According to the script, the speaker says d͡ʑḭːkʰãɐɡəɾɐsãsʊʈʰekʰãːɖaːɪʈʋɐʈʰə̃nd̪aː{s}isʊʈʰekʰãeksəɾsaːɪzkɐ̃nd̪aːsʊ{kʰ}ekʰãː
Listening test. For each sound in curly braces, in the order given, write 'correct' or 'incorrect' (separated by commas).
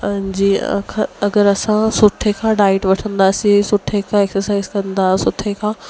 correct, incorrect